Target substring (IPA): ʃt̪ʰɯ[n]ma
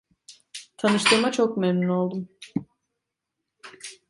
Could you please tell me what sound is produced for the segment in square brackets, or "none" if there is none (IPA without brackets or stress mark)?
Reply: none